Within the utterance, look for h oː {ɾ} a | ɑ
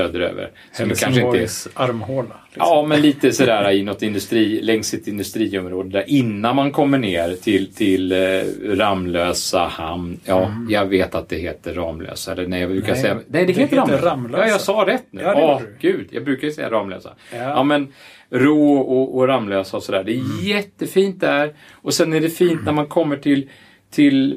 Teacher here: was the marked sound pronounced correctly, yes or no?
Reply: no